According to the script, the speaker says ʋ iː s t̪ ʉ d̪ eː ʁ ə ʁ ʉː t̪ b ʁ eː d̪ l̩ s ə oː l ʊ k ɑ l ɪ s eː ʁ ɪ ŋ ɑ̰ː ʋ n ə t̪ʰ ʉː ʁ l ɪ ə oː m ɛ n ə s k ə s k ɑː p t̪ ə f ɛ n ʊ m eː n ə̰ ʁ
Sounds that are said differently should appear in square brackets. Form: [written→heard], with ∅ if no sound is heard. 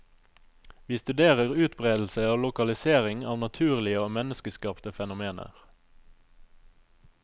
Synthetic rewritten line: ʋ iː s t̪ ʉ d̪ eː ʁ ə ʁ ʉː t̪ b ʁ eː d̪ l̩ s ə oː l ʊ k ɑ l ɪ s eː ʁ ɪ ŋ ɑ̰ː ʋ n [ə→ɑ] t̪ʰ ʉː ʁ l ɪ ə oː m ɛ n ə s k ə s k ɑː p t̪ ə f ɛ n ʊ m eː n ə̰ ʁ